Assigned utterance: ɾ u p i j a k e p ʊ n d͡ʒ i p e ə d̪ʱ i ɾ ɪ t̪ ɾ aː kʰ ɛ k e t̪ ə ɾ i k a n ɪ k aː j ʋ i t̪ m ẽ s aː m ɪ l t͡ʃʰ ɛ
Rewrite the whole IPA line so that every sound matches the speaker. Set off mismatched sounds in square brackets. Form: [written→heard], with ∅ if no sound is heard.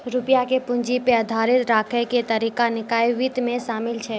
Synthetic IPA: ɾ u p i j a k e p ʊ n d͡ʒ i p e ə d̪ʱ [i→a] ɾ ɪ t̪ ɾ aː kʰ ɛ k e t̪ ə ɾ i k a n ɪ k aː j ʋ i t̪ m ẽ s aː m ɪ l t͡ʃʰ ɛ